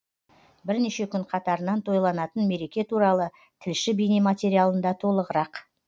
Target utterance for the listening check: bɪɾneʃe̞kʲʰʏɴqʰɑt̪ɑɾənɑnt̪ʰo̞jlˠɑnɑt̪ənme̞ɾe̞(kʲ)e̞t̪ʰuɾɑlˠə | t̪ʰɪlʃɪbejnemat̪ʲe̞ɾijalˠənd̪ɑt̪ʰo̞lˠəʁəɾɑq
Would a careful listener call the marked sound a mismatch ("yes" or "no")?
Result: no